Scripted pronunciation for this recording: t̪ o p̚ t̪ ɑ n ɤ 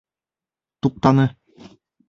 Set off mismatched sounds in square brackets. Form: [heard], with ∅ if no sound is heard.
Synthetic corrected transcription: t̪ [u] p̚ t̪ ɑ n ɤ